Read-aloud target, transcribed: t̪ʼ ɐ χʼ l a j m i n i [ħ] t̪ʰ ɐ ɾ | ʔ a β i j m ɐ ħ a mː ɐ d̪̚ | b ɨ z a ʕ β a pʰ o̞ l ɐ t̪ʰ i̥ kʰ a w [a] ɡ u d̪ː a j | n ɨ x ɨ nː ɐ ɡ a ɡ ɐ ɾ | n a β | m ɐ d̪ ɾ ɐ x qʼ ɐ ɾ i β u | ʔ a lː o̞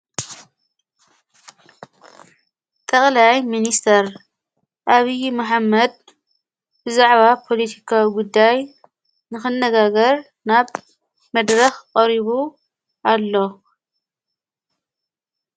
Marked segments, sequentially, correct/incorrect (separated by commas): incorrect, incorrect